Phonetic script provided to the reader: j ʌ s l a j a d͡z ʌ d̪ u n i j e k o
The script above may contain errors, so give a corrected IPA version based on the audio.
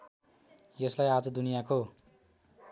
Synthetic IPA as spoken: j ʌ s l a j a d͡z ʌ d̪ u n i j a k o